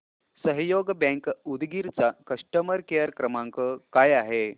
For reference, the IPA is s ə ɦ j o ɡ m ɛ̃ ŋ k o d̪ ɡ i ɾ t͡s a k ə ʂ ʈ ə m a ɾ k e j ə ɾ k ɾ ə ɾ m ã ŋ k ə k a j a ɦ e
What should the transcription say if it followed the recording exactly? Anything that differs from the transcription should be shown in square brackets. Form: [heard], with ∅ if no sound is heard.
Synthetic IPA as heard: s ə ɦ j o ɡ [b] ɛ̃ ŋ k [u] d̪ ɡ i ɾ t͡s a k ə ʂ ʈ ə m [ə] ɾ k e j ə ɾ k ɾ ə [∅] m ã ŋ k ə k a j a ɦ e